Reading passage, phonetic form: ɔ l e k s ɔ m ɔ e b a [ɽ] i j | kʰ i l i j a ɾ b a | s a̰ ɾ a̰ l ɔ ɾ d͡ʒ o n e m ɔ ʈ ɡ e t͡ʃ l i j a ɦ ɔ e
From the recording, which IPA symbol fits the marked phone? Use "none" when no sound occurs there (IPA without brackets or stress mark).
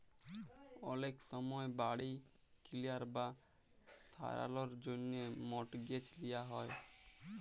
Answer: ɽ